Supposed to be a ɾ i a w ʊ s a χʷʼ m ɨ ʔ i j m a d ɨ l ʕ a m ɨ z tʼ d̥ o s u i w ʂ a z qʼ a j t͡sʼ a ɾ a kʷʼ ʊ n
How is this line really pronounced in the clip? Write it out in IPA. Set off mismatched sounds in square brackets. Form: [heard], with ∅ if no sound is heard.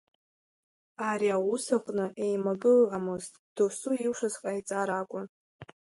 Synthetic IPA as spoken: a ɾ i a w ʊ s a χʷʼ [n] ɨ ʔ [e] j m a [ɡ] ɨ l ʕ a m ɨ z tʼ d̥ o s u i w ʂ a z qʼ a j t͡sʼ a ɾ a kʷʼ ʊ n